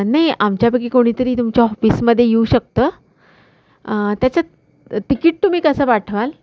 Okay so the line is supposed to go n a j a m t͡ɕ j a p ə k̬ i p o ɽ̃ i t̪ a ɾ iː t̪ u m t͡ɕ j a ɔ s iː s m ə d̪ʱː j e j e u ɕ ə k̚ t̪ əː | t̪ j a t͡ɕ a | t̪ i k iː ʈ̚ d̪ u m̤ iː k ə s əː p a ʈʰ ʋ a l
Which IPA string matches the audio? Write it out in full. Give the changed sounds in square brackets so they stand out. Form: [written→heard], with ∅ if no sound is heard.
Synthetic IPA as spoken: n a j a m t͡ɕ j a p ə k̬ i [p→k] o ɽ̃ i t̪ [a→ə] ɾ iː t̪ u m t͡ɕ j a ɔ [s→f] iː s m ə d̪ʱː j e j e u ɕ ə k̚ t̪ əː | t̪ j a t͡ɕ a | t̪ i k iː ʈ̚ [d̪→t̪] u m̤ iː k ə s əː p a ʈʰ ʋ a l